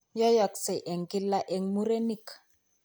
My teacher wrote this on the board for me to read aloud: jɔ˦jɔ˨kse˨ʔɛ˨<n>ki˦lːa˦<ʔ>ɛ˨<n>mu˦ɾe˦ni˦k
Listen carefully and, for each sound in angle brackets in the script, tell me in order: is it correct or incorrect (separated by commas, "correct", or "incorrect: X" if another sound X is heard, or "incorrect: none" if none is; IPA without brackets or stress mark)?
incorrect: ŋ, correct, incorrect: ŋ